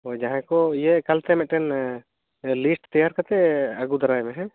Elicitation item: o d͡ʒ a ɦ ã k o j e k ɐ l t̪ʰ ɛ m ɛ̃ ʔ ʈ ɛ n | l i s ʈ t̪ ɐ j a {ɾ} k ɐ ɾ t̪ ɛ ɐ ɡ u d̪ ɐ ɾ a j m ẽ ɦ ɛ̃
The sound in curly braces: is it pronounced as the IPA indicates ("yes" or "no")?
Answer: yes